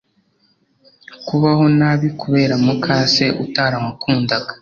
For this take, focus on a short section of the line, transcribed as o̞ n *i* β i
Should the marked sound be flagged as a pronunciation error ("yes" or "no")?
yes